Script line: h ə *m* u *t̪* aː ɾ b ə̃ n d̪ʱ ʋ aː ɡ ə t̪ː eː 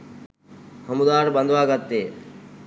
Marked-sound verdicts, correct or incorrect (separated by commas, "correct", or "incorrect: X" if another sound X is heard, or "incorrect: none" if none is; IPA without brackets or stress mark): correct, incorrect: d̪